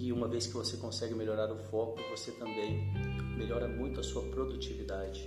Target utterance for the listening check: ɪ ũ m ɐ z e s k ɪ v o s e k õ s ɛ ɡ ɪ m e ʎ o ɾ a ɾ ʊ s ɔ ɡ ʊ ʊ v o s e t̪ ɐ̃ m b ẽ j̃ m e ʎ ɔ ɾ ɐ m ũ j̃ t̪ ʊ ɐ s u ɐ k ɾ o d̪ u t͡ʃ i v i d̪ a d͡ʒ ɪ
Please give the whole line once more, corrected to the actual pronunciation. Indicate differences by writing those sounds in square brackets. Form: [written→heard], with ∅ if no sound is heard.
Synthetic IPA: ɪ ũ m ɐ [z→v] e s k ɪ v o s e k õ s ɛ ɡ ɪ m e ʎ o ɾ a ɾ ʊ [s→f] ɔ [ɡ→k] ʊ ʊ v o s e t̪ ɐ̃ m b ẽ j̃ m e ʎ ɔ ɾ ɐ m ũ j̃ t̪ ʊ ɐ s u ɐ [k→p] ɾ o d̪ u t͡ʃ i v i d̪ a d͡ʒ ɪ